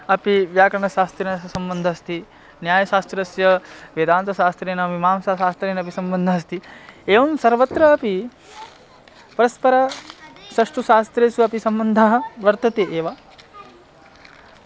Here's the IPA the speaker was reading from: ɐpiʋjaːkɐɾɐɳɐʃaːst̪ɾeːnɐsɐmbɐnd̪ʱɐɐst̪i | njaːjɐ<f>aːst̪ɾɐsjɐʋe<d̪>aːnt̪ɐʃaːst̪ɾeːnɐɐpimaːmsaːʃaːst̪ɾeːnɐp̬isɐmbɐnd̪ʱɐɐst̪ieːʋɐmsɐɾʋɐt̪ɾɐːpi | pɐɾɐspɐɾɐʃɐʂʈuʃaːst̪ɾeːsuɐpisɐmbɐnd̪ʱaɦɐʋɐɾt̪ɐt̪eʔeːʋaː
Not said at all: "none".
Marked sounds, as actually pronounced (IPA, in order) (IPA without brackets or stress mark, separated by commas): ʃ, d̪